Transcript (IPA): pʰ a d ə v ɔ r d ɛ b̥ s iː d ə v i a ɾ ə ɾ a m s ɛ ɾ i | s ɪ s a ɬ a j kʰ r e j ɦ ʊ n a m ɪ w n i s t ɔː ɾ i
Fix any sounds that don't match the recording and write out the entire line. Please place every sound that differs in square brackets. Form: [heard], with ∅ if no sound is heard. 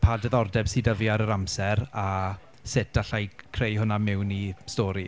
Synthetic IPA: pʰ a d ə [ð] ɔ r d ɛ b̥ s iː d ə v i a ɾ ə ɾ a m s ɛ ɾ [a] | s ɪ [t] a ɬ a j kʰ r e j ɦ ʊ n a m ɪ w n i s t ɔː ɾ i